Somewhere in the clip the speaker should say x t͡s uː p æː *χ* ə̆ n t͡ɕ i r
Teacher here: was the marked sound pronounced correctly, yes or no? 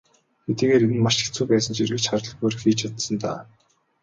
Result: no